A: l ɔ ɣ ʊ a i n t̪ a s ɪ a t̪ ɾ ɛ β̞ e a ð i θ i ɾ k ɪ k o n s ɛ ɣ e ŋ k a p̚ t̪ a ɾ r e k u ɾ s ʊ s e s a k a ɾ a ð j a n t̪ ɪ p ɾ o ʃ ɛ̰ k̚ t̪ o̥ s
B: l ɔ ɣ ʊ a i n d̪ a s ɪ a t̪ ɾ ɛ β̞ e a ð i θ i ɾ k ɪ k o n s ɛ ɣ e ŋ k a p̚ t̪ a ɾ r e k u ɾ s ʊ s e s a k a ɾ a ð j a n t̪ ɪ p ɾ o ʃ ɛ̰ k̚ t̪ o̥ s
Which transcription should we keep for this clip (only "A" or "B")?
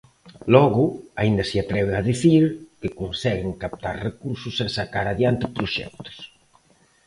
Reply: B